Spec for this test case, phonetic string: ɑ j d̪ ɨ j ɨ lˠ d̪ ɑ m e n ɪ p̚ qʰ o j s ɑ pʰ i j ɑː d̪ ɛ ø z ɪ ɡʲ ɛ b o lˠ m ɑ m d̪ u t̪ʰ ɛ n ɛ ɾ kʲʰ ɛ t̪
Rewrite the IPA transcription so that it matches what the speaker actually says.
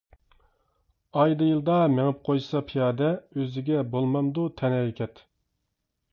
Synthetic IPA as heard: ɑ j d̪ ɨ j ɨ lˠ d̪ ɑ m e ŋ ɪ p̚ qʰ o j s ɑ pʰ i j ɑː d̪ ɛ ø z ɪ ɡʲ ɛ b o lˠ m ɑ m d̪ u t̪ʰ ɛ n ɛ ɾ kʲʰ ɛ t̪